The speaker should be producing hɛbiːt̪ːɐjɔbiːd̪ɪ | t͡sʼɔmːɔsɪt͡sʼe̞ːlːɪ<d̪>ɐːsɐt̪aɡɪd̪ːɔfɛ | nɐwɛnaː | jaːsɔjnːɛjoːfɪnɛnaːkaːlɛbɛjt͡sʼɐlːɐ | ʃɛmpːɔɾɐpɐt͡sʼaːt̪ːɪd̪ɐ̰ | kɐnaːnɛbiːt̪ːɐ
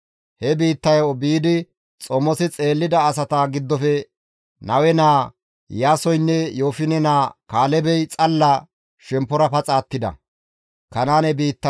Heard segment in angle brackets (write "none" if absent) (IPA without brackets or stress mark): d̪